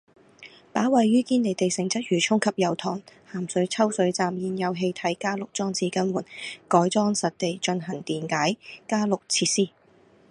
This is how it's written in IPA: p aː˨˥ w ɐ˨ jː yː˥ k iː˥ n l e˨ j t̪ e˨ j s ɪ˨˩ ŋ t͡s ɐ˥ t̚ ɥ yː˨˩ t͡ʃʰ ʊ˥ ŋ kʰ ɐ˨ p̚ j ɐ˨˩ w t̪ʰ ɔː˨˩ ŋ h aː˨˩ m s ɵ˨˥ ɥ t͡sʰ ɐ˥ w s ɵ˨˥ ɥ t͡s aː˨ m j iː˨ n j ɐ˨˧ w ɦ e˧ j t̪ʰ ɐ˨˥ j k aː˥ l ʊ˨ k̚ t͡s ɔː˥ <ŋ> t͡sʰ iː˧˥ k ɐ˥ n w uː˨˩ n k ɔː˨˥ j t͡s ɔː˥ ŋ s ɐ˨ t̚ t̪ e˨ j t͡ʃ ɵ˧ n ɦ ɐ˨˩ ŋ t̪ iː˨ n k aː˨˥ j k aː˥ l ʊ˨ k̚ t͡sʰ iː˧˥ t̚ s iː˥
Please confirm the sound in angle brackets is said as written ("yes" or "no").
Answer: yes